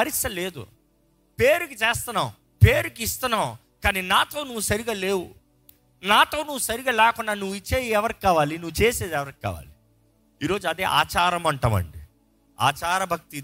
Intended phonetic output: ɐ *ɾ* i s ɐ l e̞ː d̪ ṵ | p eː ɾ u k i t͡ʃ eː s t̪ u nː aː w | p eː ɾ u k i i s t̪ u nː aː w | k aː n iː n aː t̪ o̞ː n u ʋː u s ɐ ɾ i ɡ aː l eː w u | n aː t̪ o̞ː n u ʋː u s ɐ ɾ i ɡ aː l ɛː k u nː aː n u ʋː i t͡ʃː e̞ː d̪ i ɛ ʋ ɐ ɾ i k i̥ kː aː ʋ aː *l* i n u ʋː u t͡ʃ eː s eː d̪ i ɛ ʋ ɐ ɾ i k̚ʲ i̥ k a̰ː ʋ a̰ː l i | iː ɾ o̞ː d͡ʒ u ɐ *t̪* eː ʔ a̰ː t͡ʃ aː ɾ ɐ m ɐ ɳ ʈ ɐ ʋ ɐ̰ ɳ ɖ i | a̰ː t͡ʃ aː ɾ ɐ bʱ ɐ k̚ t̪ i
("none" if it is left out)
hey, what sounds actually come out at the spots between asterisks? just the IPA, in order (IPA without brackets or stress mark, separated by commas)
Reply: ɾ, l, d̪